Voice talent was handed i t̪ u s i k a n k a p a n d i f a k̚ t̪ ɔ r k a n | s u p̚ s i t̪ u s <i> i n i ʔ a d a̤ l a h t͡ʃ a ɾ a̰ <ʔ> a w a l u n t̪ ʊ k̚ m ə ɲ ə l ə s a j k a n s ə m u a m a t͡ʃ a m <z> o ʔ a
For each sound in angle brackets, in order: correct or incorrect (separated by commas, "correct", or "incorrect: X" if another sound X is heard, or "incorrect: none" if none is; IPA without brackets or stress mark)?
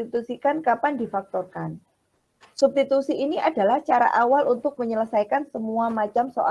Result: correct, correct, incorrect: s